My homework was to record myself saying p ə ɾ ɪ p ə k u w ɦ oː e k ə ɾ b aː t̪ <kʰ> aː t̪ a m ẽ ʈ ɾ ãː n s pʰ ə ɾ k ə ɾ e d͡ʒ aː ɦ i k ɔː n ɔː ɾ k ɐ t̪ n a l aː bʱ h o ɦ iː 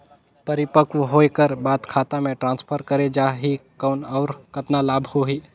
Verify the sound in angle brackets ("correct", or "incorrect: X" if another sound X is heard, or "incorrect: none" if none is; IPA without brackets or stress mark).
correct